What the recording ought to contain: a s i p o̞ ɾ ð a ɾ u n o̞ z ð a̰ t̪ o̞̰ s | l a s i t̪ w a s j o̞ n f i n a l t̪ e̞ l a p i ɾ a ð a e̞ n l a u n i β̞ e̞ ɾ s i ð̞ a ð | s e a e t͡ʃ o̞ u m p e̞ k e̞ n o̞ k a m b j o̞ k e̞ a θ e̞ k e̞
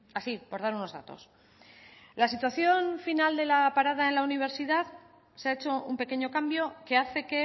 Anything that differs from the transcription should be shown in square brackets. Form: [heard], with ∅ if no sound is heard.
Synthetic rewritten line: a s i p o̞ ɾ ð a ɾ u n o̞ z ð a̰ t̪ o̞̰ s | l a s i t̪ w a [θ] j o̞ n f i n a l [d̪] e̞ l a p [a] ɾ a ð a e̞ n l a u n i β̞ e̞ ɾ s i ð̞ a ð | s e a e t͡ʃ o̞ u m p e̞ k e̞ [ɲ] o̞ k a m b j o̞ k e̞ a θ e̞ k e̞